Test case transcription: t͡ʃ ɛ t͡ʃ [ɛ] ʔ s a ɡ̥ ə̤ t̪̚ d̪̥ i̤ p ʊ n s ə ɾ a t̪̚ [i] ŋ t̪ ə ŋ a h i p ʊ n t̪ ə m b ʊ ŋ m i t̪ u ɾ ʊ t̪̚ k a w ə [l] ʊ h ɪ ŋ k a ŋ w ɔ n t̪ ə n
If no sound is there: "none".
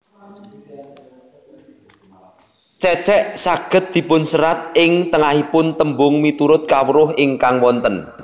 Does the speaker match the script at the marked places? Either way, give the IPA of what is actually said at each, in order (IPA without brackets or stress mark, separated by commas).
ɛ, ɪ, ɾ